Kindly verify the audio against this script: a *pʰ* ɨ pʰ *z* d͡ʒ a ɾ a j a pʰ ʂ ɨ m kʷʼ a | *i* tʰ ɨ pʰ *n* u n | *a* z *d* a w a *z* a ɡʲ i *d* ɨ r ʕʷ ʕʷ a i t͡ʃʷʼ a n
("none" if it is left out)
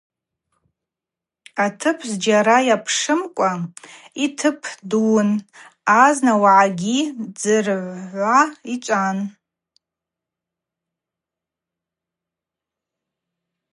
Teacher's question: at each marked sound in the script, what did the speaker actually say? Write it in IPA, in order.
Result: tʰ, z, i, d, a, n, ʕ, d͡z

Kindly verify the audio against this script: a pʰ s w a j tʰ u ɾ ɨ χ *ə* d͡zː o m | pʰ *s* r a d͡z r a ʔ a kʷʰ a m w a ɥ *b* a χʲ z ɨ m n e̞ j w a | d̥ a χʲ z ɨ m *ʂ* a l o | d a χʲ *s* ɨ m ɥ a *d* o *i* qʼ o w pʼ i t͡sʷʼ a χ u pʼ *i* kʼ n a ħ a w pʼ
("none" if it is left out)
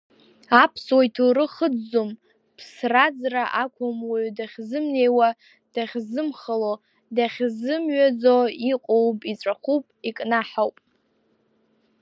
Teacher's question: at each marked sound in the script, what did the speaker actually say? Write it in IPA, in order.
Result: ə, s, d, χ, z, d͡z, i, i

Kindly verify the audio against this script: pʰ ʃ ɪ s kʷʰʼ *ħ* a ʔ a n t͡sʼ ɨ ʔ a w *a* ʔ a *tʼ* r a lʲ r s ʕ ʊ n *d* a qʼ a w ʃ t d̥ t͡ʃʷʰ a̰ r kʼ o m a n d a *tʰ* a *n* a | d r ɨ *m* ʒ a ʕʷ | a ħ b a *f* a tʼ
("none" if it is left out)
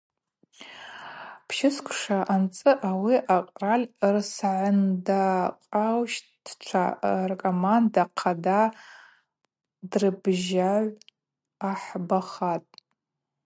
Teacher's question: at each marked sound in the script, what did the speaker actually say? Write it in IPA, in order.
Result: ʂ, i, qʼ, d, qʰ, d, b, χ

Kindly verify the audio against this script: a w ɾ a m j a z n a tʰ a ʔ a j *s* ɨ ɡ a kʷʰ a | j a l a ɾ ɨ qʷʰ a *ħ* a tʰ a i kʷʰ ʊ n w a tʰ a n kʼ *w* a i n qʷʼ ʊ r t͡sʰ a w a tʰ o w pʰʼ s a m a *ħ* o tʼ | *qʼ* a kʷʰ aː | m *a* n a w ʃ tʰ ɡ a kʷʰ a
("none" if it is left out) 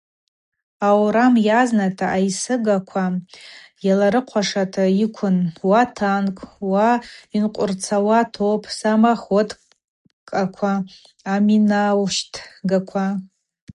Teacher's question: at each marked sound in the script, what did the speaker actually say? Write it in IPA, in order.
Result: s, ʂ, w, χ, kʼ, i

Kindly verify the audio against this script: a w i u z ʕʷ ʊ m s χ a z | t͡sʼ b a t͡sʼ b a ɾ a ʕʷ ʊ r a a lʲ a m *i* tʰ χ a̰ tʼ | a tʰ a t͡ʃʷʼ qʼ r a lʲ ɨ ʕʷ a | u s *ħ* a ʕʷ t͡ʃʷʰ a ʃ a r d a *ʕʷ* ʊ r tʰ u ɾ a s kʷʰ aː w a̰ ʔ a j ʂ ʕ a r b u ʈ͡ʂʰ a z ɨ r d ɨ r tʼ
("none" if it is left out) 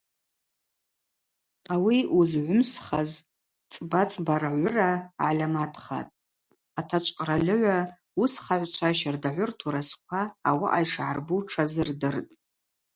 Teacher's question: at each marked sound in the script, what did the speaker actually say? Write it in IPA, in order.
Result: a, χ, ʕʷ

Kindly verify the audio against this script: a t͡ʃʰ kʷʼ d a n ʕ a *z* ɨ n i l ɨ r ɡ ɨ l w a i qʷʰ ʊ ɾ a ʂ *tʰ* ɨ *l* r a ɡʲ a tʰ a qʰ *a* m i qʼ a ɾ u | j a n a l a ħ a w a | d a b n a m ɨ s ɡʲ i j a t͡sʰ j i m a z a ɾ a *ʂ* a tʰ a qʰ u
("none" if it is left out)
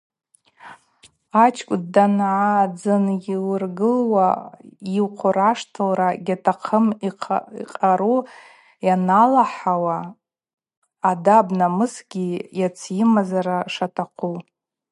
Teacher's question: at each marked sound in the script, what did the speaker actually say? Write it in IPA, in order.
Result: d͡z, tʰ, l, ə, ʂ

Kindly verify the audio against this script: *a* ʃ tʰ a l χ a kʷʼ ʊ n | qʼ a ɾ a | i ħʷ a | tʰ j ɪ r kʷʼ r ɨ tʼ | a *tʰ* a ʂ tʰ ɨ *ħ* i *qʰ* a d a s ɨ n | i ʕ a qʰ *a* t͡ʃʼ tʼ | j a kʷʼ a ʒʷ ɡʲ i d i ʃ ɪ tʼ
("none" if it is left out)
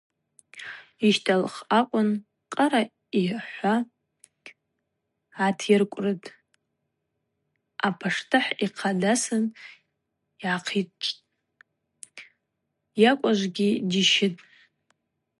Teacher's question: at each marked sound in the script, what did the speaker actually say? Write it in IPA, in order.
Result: i, pʰ, ħ, qʰ, i

